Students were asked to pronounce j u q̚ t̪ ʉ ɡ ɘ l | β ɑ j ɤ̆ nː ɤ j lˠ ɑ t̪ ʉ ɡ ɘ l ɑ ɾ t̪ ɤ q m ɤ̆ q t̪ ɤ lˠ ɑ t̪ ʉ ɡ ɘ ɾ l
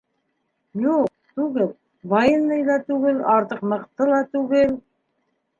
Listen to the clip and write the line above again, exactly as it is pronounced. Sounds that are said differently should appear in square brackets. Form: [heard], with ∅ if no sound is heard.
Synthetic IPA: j u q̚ t̪ ʉ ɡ ɘ l | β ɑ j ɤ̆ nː ɤ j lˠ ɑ t̪ ʉ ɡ ɘ l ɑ ɾ t̪ ɤ q m ɤ̆ q t̪ ɤ lˠ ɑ t̪ ʉ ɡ ɘ [∅] l